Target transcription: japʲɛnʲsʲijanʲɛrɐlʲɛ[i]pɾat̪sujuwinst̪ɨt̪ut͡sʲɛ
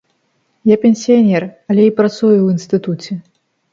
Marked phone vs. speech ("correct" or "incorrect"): correct